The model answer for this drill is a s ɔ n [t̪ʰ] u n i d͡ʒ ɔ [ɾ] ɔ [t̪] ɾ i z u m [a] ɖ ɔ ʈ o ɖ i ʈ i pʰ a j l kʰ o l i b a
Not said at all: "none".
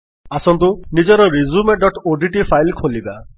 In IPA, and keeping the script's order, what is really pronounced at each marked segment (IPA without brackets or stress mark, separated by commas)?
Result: t̪, ɾ, none, e